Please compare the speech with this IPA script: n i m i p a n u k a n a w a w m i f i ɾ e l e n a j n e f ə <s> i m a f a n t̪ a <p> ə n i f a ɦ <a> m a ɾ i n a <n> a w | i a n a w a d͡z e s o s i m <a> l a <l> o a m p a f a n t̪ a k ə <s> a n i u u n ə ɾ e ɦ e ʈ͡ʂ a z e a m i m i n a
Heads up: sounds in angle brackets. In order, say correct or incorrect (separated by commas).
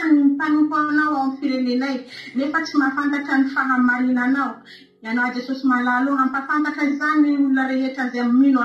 incorrect, incorrect, correct, correct, correct, correct, incorrect